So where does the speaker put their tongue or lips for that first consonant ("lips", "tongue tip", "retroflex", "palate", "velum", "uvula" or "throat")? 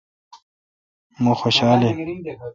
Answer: lips